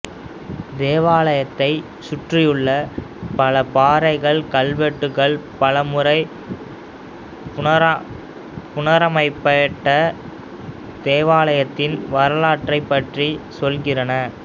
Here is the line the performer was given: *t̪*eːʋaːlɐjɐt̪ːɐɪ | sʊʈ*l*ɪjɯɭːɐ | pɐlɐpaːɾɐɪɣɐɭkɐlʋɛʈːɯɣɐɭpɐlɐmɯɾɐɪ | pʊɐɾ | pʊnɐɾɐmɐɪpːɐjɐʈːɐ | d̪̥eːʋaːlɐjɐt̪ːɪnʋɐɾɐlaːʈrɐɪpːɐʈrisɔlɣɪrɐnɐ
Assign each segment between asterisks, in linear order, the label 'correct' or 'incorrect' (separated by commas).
incorrect, incorrect